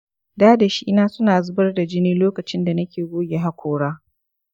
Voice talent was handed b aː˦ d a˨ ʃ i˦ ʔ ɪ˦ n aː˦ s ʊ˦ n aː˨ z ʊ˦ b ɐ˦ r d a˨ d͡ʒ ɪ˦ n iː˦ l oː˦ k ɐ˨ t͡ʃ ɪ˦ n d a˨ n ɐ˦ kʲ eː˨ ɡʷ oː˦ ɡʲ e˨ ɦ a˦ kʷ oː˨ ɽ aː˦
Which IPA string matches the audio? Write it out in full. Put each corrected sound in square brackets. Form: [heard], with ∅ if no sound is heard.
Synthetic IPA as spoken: [d] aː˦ d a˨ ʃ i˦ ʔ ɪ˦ n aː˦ s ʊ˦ n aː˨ z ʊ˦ b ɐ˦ r d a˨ d͡ʒ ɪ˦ n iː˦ l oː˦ k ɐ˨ t͡ʃ ɪ˦ n d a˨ n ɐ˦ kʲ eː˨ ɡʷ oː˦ ɡʲ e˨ ɦ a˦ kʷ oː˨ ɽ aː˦

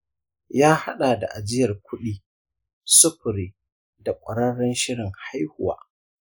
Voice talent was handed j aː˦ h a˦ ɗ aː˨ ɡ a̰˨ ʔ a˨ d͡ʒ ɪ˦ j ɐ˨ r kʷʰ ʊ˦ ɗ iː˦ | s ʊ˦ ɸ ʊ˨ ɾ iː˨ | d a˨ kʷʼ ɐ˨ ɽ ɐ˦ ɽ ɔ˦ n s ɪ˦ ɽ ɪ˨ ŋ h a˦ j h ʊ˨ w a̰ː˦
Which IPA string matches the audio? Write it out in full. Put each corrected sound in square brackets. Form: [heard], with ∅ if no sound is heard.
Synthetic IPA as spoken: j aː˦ h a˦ ɗ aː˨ [d] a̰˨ ʔ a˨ d͡ʒ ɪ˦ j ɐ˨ r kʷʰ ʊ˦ ɗ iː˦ | s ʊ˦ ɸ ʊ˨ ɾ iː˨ | d a˨ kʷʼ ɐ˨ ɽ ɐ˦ ɽ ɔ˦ n [ʃ] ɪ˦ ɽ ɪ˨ ŋ h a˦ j h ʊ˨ w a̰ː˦

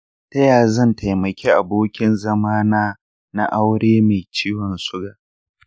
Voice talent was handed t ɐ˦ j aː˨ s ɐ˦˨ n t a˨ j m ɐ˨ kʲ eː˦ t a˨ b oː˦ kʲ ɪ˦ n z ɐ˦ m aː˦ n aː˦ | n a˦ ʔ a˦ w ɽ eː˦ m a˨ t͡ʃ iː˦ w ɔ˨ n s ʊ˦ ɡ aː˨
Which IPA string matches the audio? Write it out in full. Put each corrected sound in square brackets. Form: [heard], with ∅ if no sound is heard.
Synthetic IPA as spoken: t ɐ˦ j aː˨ [z] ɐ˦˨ n t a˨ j m ɐ˨ kʲ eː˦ [ʔ] a˨ b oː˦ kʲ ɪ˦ n z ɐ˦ m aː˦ n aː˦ | n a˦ ʔ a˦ w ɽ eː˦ m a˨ t͡ʃ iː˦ w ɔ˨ n s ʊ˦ ɡ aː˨

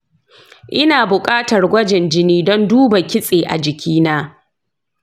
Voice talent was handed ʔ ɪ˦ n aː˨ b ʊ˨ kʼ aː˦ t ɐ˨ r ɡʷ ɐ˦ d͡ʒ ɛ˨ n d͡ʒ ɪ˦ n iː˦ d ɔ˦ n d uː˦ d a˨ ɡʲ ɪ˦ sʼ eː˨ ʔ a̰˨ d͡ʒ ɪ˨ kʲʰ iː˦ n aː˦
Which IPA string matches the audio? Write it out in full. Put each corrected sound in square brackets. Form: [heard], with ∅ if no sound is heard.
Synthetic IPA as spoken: ʔ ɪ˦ n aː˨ b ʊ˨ kʼ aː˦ t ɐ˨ r ɡʷ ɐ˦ d͡ʒ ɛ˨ n d͡ʒ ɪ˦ n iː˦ d ɔ˦ n d uː˦ [b] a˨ [kʲ] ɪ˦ sʼ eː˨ ʔ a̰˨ d͡ʒ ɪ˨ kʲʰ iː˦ n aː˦

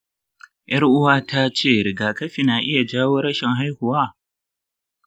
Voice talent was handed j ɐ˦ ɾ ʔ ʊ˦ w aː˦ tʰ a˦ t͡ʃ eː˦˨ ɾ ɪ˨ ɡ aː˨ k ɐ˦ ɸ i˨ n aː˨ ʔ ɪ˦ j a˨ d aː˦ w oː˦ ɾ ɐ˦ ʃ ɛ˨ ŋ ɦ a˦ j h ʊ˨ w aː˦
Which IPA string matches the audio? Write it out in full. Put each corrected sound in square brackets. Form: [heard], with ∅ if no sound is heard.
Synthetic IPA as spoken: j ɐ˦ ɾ ʔ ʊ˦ w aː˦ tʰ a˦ t͡ʃ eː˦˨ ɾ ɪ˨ ɡ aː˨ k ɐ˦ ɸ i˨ n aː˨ ʔ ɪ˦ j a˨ [d͡ʒ] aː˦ w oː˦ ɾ ɐ˦ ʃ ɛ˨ ŋ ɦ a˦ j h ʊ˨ w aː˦

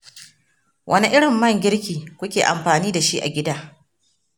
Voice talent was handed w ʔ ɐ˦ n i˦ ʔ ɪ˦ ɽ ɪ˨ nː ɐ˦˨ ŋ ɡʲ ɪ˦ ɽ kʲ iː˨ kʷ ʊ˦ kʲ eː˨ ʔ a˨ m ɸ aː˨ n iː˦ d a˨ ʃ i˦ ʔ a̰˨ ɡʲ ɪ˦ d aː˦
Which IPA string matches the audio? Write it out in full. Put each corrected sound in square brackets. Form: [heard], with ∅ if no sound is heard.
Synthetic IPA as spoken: w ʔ ɐ˦ n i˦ ʔ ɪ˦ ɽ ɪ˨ [mː] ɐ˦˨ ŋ ɡʲ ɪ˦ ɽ kʲ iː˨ kʷ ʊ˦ kʲ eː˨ ʔ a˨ m ɸ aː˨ n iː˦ d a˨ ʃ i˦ ʔ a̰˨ ɡʲ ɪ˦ d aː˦

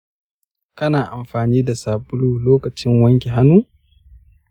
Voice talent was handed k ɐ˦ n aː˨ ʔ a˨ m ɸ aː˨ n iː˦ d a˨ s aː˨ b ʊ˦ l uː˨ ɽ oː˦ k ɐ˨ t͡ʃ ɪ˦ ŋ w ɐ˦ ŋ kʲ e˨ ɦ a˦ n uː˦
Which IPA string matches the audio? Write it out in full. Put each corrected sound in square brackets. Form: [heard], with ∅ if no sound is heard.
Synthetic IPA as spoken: k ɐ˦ n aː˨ ʔ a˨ m ɸ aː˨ n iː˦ d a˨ s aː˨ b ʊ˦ l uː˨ [l] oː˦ k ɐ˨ t͡ʃ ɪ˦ ŋ w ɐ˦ ŋ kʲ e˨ ɦ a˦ n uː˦

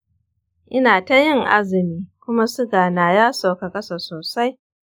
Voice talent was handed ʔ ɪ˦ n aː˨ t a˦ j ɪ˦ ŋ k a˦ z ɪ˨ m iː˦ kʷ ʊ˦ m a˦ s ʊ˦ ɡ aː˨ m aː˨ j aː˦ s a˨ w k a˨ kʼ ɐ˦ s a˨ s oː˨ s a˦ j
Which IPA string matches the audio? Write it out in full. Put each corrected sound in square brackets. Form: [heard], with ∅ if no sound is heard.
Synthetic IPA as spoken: ʔ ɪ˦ n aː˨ t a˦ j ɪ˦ ŋ [ʔ] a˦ z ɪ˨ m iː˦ kʷ ʊ˦ m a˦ s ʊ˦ ɡ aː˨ [n] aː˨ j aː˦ s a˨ w k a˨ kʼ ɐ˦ s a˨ s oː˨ s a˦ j

